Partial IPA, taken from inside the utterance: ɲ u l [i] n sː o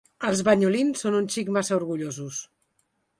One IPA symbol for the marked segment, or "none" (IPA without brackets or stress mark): i